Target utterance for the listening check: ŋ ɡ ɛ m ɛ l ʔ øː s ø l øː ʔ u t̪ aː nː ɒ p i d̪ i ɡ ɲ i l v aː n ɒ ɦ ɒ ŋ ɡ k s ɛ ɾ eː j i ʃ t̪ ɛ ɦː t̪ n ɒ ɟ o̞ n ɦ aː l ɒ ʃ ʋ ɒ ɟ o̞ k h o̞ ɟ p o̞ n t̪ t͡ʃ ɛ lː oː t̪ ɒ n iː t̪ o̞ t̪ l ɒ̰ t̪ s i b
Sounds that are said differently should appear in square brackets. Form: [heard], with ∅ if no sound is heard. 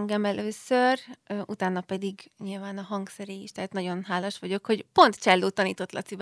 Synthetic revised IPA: ŋ ɡ ɛ m ɛ l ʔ øː s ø [r] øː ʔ u t̪ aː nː ɒ p [ɛ] d̪ i ɡ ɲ i l v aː n ɒ ɦ ɒ ŋ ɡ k s ɛ ɾ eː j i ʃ t̪ ɛ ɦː t̪ n ɒ ɟ o̞ n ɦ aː l ɒ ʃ ʋ ɒ ɟ o̞ k h o̞ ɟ p o̞ n t̪ t͡ʃ ɛ lː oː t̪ ɒ n iː t̪ o̞ t̪ l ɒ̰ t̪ s i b